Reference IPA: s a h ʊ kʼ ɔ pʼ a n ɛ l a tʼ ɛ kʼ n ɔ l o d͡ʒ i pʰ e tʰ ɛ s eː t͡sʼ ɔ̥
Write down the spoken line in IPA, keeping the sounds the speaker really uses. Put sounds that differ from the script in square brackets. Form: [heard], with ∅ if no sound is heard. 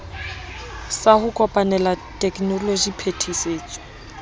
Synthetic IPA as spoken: s a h ʊ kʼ ɔ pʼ a n ɛ l a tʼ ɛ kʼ n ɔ l o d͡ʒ i pʰ e tʰ [i] s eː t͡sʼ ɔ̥